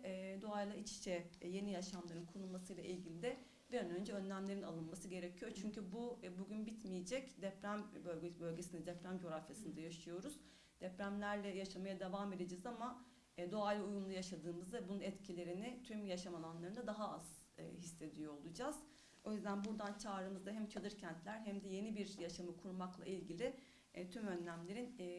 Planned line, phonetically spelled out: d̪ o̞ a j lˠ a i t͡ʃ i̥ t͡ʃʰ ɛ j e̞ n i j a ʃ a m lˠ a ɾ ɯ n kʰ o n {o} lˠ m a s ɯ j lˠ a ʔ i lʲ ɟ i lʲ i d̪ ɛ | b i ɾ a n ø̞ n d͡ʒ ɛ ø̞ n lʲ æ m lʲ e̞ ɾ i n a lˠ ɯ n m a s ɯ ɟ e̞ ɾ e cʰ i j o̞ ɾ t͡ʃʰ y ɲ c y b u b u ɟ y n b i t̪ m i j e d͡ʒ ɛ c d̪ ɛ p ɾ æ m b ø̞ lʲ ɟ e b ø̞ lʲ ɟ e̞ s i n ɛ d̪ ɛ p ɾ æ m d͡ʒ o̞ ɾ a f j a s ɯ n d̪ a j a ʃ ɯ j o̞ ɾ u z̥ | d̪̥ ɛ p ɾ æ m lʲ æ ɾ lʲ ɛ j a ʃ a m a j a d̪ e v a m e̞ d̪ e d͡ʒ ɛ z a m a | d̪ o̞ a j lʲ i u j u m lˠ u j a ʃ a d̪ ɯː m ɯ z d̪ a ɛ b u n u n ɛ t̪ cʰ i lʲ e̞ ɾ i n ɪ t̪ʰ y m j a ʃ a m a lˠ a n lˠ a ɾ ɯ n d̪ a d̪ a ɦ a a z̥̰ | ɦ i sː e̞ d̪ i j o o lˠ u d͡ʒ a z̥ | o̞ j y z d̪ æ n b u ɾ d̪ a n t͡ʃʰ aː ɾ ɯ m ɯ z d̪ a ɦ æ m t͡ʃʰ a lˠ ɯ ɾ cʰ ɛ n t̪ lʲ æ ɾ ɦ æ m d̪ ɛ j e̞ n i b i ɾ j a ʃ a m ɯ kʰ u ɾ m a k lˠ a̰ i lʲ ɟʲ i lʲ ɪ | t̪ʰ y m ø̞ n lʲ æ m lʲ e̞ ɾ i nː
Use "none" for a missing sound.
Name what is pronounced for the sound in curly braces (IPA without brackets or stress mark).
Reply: u